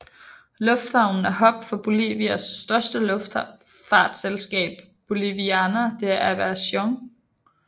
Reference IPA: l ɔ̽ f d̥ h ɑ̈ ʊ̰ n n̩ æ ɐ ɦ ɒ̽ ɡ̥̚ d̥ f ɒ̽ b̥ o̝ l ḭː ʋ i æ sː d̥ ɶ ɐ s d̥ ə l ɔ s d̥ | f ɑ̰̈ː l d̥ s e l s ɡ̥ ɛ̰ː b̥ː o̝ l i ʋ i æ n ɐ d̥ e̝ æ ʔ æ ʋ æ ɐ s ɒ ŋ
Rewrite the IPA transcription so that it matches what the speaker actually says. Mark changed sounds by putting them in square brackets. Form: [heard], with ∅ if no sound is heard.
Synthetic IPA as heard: l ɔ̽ f d̥ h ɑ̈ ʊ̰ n n̩ æ ɐ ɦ ɒ̽ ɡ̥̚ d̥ f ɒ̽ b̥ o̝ l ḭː ʋ i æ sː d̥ ɶ ɐ s d̥ ə l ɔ [f] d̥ | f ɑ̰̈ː [∅] d̥ s e l s ɡ̥ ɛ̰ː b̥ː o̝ l i ʋ i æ n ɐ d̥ e̝ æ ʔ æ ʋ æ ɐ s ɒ ŋ